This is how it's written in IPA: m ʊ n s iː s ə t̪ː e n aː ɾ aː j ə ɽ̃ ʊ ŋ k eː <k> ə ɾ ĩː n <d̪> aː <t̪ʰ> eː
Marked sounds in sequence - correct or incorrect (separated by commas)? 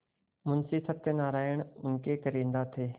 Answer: correct, correct, correct